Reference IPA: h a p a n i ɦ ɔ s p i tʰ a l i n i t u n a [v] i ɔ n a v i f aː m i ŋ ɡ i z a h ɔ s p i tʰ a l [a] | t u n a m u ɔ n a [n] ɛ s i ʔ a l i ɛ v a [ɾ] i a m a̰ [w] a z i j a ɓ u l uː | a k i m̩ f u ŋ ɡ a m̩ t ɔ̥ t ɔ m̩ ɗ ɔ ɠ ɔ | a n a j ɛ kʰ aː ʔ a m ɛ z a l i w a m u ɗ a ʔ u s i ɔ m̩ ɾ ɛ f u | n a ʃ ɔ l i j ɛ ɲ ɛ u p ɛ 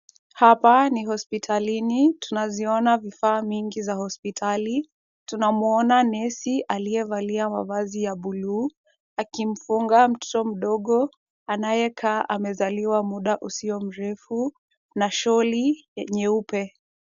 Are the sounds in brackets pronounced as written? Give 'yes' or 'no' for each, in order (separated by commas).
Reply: no, no, yes, no, no